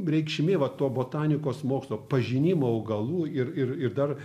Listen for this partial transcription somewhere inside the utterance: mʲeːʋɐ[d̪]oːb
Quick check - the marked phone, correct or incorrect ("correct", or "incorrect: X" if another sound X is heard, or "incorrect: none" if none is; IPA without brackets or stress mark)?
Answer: incorrect: t̪